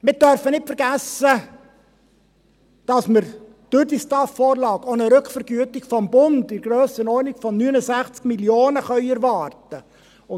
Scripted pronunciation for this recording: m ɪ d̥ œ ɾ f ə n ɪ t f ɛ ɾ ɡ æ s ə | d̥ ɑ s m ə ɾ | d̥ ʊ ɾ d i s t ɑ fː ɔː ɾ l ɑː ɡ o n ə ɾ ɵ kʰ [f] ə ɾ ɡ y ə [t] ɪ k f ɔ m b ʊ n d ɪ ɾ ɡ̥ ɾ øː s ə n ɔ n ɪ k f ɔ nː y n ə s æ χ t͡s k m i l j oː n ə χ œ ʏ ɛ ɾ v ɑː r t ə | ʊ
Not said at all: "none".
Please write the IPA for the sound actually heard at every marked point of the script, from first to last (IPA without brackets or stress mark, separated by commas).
f, t